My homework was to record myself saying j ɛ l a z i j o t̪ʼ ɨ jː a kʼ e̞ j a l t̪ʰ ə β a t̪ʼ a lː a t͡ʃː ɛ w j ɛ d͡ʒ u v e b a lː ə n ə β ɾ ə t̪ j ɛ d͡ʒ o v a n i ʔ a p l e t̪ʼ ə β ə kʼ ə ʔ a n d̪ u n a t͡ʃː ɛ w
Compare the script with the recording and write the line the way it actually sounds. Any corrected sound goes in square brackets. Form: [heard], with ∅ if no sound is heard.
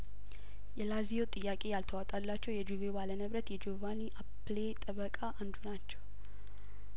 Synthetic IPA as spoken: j ɛ l a z i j o t̪ʼ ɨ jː a kʼ e̞ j a l t̪ʰ ə [w] a t̪ʼ a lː a t͡ʃː ɛ w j ɛ d͡ʒ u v e b a [l] ə n ə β ɾ ə t̪ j ɛ d͡ʒ o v a n i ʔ a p l e t̪ʼ ə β ə kʼ [a] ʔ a n d̪ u n a t͡ʃː ɛ w